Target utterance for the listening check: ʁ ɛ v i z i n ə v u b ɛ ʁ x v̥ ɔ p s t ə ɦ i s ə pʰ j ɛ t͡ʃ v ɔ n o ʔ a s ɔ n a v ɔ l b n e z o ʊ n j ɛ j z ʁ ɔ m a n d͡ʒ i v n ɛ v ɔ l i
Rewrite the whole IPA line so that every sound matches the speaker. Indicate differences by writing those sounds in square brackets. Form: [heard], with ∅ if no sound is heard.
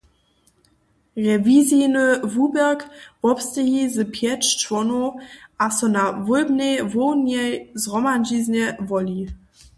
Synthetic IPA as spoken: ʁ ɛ v i z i n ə v u b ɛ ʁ [k] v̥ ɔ p s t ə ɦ i [z] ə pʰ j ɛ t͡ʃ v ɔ n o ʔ a s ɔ n a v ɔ l b n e [v] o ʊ n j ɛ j z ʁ ɔ m a n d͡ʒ i [z] n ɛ v ɔ l i